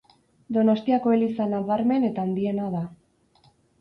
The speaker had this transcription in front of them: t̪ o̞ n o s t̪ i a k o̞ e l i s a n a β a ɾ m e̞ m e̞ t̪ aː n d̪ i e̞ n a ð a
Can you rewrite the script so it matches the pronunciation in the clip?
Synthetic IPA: d̪ o̞ n o s t̪ i a k o̞ e l i s a n a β a ɾ m e̞ n e̞ t̪ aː n d̪ i e̞ n a ð a